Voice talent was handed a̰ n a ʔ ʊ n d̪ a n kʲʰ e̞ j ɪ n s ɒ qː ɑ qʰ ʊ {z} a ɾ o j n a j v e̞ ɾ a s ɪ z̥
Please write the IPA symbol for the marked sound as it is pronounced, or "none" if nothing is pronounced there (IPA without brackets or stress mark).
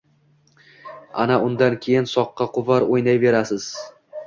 v